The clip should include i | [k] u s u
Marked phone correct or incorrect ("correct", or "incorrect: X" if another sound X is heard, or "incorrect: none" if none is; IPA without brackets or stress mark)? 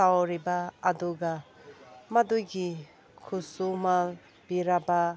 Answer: incorrect: kʰ